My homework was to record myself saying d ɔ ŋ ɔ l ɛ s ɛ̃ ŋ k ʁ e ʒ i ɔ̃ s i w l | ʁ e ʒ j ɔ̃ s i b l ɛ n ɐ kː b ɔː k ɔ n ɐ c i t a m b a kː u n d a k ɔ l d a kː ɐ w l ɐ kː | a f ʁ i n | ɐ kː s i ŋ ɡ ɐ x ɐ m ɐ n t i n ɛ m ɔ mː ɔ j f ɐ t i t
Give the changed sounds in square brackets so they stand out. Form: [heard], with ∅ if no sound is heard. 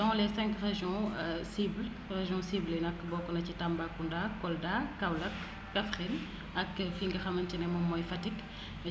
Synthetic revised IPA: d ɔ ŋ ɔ l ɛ s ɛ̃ ŋ k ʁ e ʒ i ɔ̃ s i [b] l | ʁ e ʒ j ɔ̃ s i b l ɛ n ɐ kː b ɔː k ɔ n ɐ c i t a m b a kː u n d a k ɔ l d a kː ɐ w l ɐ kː | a f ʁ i n | ɐ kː [f] i ŋ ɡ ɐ x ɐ m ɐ n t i n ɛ m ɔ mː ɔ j f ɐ t i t